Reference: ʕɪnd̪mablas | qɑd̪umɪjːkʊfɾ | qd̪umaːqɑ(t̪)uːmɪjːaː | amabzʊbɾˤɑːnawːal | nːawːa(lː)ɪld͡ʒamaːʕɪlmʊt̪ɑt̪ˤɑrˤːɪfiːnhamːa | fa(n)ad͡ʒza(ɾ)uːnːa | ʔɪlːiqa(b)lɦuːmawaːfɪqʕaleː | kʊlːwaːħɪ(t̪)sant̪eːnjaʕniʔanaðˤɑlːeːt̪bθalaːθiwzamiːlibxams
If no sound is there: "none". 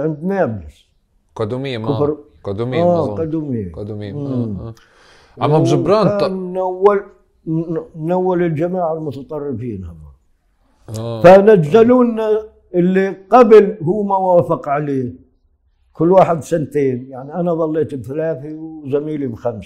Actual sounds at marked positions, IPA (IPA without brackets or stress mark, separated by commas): d̪, l, n, l, b, d̪